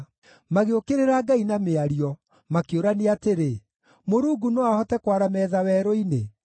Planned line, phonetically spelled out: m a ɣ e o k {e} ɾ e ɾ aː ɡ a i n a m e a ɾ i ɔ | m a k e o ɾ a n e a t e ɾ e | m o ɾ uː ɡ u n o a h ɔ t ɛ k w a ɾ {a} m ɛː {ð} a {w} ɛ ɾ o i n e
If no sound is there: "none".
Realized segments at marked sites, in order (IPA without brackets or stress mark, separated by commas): e, a, ð, w